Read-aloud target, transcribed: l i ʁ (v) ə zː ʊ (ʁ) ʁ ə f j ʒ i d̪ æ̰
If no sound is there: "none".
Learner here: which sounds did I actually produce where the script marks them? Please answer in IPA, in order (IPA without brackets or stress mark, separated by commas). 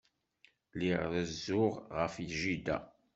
ð, ʁ